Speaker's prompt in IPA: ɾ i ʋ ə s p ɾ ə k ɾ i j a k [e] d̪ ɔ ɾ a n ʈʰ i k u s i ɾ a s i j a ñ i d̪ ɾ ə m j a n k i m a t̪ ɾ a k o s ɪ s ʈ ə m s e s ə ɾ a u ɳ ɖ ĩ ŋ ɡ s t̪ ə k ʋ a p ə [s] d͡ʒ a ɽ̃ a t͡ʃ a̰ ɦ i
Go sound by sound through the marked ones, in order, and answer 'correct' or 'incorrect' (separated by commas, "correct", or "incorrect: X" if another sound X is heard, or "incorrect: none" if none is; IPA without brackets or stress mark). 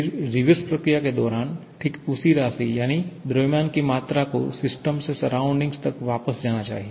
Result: correct, correct